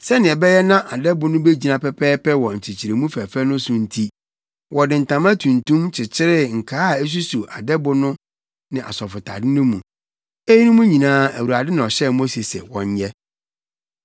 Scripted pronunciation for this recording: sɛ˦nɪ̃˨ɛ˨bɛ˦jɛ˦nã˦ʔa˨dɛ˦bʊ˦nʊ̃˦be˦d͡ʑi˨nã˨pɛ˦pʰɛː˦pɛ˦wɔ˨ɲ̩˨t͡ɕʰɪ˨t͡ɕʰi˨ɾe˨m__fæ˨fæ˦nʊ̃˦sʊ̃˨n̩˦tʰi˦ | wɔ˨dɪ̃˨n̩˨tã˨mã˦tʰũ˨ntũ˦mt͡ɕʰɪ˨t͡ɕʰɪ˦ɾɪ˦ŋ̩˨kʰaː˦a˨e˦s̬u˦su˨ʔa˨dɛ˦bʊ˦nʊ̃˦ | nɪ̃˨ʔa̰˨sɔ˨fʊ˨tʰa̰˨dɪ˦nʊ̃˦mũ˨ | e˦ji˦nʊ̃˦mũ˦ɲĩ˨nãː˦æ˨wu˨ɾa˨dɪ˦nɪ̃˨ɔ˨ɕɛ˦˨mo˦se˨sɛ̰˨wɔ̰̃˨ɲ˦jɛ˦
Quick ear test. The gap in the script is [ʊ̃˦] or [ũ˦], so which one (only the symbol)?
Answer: ũ˦